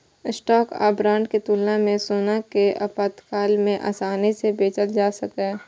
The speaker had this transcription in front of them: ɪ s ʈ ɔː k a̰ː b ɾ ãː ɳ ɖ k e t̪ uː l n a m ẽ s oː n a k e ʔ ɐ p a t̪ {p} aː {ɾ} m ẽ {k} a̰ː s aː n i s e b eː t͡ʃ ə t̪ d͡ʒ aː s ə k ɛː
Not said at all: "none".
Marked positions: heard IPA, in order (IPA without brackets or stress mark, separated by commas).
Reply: k, l, ʔ